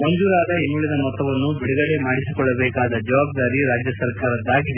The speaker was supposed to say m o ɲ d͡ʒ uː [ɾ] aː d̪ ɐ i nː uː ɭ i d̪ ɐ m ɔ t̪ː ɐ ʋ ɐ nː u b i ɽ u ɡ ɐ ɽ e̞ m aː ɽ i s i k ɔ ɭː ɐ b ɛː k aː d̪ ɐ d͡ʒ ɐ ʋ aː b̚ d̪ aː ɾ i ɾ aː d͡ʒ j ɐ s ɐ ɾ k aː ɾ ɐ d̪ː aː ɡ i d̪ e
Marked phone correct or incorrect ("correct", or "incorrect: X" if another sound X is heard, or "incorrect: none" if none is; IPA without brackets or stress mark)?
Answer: correct